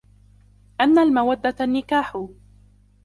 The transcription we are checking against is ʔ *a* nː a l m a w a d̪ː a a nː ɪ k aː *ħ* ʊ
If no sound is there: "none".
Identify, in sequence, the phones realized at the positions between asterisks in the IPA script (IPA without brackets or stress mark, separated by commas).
a, ħ